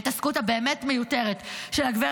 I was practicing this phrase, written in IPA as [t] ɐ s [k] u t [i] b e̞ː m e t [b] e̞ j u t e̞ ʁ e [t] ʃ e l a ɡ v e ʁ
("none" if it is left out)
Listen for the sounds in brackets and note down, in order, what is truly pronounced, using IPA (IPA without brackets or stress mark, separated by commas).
t, k, a, m, t